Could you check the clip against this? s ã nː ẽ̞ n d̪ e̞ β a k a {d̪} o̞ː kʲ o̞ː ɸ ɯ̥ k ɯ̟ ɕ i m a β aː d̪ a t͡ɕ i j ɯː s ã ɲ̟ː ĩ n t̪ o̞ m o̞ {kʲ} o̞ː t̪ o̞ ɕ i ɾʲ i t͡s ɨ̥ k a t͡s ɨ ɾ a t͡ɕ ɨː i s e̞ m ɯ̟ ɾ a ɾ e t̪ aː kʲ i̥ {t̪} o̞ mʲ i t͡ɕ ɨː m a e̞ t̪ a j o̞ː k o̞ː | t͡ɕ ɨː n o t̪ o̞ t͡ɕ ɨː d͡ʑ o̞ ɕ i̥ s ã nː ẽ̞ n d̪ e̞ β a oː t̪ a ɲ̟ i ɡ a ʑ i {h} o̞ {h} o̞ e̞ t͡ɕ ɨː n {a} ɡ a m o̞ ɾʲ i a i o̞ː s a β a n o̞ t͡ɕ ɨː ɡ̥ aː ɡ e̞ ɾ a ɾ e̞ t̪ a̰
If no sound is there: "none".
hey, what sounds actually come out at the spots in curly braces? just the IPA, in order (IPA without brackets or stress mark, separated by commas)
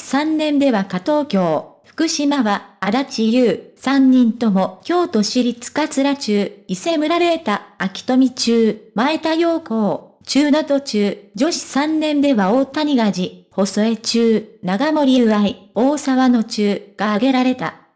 t̪, kʲ, t̪, h, s, a